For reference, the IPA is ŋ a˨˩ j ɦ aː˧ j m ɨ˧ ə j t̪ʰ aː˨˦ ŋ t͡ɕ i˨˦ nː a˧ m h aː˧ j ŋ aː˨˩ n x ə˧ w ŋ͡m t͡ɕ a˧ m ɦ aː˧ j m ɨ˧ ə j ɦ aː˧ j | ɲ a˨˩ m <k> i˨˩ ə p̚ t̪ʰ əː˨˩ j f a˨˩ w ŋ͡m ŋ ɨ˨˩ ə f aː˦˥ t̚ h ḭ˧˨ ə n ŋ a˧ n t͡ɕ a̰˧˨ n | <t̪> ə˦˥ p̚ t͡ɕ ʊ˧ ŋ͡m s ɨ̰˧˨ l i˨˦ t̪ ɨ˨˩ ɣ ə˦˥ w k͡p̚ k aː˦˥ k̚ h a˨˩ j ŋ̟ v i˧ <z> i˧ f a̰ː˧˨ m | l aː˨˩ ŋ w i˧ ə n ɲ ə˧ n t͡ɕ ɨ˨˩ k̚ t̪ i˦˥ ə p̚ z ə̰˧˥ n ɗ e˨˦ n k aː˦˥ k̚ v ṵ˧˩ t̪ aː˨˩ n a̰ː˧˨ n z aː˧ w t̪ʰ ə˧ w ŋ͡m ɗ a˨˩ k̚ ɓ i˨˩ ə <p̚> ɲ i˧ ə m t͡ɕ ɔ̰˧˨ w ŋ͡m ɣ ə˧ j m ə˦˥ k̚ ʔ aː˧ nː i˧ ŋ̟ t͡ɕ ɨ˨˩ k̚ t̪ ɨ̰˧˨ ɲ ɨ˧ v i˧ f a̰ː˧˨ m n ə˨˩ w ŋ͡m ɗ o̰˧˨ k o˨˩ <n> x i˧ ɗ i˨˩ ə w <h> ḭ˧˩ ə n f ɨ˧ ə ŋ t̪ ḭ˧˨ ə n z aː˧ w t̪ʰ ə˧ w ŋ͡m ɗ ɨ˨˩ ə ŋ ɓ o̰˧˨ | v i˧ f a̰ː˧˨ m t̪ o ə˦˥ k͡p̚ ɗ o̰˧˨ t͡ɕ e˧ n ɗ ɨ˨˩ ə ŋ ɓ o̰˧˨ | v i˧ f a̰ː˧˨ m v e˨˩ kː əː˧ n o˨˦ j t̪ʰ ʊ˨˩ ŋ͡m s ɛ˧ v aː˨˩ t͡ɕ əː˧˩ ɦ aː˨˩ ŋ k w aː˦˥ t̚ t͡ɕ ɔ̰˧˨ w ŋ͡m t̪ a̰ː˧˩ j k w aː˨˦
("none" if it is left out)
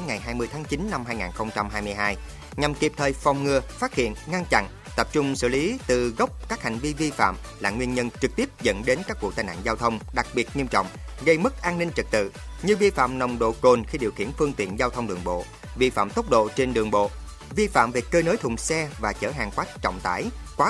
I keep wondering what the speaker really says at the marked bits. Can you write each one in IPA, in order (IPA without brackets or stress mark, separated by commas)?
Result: k, t̪, v, t̚, n, x